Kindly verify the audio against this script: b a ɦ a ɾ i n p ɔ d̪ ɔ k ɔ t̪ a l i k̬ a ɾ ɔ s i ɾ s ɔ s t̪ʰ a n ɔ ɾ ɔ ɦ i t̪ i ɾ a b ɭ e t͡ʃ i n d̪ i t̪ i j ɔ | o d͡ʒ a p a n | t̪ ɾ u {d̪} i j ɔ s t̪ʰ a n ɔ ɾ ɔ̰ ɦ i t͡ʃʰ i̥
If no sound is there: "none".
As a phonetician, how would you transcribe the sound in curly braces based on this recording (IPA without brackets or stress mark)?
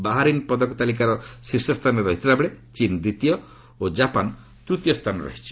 t̪